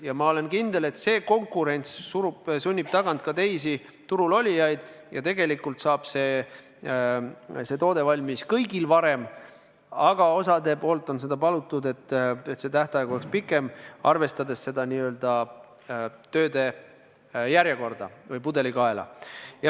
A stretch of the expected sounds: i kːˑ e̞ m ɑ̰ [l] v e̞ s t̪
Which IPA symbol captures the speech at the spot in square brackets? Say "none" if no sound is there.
r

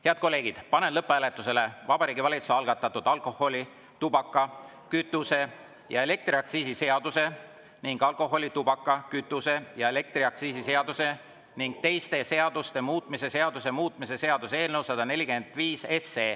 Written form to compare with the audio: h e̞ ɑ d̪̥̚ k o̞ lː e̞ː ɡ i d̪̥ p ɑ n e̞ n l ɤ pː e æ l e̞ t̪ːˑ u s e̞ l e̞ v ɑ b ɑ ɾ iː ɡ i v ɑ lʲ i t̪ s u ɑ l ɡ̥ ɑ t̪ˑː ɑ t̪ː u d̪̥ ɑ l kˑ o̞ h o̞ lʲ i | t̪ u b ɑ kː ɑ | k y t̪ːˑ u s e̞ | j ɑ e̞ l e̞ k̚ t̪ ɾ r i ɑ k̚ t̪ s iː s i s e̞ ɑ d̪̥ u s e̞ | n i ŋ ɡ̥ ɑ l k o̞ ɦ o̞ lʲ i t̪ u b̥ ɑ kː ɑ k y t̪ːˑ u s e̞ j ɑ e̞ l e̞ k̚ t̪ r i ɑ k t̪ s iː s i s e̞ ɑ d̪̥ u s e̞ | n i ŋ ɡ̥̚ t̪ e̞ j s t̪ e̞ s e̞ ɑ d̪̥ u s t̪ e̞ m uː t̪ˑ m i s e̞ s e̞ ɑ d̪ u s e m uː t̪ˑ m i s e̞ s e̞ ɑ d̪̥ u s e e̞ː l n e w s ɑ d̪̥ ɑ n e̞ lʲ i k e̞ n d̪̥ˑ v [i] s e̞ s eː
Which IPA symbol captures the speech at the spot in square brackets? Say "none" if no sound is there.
iː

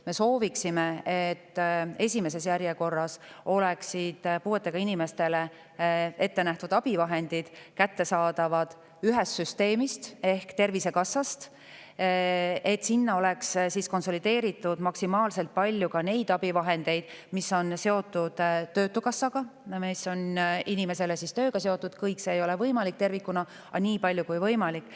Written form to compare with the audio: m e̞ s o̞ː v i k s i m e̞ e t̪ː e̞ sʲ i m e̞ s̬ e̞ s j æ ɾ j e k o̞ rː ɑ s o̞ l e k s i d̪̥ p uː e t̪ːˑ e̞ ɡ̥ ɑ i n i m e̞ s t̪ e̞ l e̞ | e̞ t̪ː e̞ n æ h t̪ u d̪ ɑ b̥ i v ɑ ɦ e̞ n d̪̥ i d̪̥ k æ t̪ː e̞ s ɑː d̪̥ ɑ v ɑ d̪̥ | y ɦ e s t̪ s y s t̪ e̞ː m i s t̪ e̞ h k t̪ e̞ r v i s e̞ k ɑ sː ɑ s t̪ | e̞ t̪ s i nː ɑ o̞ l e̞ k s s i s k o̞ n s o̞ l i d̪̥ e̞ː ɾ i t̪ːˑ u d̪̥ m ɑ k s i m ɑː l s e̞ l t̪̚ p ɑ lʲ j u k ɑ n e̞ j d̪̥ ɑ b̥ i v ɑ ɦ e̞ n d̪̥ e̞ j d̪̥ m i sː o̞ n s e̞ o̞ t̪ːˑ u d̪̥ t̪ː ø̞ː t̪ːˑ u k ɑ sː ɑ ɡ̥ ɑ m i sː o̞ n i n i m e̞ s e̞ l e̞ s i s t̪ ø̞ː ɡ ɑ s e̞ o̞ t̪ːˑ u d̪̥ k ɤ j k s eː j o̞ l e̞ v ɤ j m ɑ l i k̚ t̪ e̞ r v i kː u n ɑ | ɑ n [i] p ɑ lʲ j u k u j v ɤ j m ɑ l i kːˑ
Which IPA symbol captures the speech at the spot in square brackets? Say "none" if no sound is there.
iː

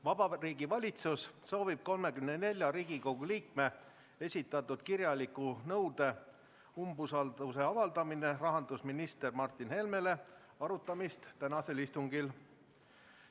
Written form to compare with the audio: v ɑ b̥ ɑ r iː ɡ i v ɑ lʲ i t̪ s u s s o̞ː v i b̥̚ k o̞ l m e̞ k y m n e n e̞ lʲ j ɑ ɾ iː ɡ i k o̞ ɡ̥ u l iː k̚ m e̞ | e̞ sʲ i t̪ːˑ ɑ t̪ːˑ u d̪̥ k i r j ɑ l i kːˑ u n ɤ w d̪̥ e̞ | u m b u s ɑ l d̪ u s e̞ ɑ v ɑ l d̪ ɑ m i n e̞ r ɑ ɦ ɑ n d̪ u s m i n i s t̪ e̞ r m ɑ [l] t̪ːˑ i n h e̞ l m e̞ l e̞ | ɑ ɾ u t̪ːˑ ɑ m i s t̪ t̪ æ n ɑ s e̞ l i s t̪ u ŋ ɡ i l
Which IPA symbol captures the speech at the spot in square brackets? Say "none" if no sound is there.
r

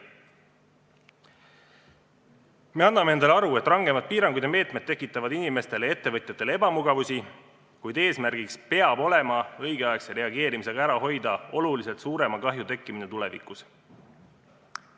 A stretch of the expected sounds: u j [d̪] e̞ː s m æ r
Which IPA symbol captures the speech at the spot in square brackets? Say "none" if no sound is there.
d̪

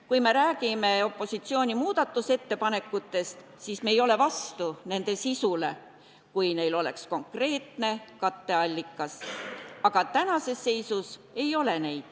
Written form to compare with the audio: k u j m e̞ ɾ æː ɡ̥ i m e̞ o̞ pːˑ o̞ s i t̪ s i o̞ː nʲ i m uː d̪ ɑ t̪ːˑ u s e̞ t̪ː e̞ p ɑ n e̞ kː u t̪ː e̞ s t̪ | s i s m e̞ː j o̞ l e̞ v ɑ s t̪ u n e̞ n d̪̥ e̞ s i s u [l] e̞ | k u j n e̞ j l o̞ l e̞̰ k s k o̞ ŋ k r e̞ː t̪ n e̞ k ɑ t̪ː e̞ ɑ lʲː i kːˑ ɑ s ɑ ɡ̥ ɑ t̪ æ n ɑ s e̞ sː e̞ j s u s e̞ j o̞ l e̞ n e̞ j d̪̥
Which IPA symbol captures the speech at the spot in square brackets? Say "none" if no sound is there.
l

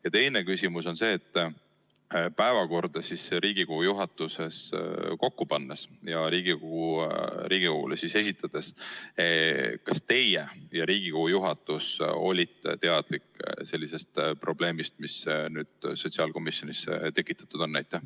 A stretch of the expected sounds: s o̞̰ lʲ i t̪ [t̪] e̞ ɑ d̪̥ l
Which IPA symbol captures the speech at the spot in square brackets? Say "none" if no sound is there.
t̪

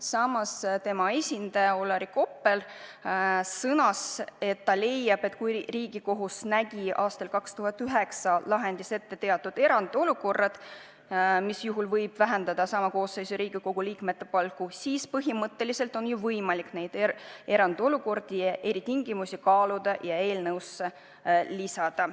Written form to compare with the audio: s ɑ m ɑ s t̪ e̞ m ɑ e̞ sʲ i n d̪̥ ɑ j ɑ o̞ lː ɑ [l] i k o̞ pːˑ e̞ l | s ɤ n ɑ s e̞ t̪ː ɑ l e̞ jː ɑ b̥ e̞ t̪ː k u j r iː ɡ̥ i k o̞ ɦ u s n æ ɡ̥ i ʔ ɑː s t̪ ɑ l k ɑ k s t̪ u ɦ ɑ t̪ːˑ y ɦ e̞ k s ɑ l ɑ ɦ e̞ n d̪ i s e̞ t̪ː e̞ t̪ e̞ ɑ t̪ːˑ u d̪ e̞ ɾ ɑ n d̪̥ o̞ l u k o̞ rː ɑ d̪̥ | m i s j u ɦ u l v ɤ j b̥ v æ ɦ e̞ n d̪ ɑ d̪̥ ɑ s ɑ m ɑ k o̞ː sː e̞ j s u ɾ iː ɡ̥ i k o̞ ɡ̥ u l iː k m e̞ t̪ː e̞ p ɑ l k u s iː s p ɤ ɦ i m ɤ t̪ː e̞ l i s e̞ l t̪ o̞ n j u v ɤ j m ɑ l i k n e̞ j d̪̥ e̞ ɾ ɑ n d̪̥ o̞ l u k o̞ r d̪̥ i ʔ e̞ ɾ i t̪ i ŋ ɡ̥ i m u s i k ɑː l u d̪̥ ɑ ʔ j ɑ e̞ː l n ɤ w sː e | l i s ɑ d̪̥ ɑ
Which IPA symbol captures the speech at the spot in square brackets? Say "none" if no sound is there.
ɾ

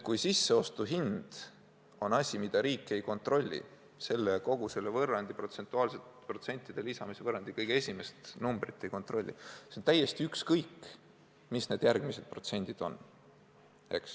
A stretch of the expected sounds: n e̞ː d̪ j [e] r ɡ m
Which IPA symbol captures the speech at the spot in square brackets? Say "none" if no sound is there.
æ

